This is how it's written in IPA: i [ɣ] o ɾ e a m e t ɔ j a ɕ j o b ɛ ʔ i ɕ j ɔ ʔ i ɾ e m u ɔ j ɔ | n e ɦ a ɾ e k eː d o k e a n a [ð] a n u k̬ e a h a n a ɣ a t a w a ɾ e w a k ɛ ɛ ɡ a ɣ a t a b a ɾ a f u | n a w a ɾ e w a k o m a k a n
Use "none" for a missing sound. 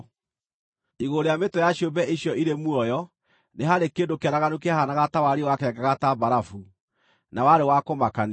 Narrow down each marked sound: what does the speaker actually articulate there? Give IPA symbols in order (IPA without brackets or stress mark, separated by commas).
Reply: ɣ, ɣ